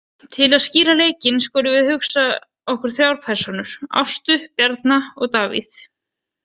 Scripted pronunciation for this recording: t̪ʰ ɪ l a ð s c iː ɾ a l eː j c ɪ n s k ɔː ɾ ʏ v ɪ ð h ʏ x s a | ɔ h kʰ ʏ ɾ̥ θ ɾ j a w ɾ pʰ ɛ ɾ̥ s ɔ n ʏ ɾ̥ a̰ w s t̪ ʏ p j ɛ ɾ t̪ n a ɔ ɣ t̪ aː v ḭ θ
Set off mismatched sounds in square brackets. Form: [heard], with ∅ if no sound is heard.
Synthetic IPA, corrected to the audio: t̪ʰ ɪ l a ð s c iː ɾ a l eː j c ɪ n s k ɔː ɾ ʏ v ɪ ð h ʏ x s a | ɔ h [k] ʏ ɾ̥ θ ɾ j a w ɾ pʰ ɛ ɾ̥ s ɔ n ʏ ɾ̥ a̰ w s t̪ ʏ p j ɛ ɾ t̪ n a ɔ ɣ t̪ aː v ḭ θ